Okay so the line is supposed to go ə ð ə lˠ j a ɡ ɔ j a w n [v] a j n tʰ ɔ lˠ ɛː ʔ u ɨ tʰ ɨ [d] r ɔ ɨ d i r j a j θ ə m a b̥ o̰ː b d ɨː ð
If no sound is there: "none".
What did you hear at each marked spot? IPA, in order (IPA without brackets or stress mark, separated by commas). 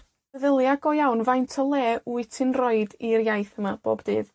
v, n